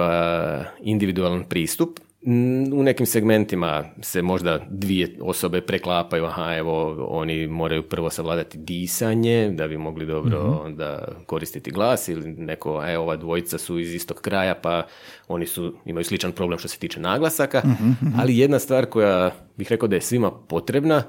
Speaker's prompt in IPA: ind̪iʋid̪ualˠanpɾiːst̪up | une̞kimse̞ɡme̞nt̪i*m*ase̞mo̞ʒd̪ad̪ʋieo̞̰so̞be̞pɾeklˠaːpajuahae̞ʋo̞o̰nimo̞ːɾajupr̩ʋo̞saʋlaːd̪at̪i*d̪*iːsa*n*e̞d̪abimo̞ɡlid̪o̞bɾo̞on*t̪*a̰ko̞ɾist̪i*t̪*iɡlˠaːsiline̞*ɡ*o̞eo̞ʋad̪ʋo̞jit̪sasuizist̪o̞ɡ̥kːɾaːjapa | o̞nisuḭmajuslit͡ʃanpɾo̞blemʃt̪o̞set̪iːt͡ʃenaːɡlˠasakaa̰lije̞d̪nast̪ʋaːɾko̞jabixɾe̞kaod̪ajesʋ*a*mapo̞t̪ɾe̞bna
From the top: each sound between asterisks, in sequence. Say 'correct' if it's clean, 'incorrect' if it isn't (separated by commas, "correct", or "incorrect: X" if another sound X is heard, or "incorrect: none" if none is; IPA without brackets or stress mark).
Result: correct, correct, incorrect: ɲ, incorrect: d̪, correct, incorrect: k, incorrect: i